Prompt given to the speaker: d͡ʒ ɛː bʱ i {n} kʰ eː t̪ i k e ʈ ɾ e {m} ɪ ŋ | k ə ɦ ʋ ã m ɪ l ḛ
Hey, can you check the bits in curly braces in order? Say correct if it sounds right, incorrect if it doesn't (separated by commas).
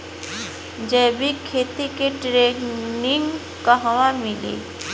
incorrect, incorrect